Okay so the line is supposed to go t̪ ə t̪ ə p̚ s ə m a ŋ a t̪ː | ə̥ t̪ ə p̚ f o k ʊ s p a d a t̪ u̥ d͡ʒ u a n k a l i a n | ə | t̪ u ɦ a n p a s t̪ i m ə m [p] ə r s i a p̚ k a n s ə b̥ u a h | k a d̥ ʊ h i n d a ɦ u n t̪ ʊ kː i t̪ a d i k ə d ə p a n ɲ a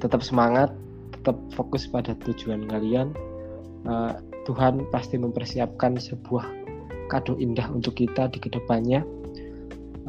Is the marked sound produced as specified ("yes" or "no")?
yes